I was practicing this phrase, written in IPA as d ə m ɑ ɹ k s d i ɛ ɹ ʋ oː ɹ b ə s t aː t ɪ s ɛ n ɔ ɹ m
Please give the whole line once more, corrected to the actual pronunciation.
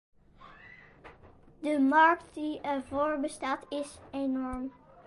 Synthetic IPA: d ə m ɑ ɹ k t d i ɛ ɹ v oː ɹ b ə s t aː t ɪ s e n ɔ ɹ m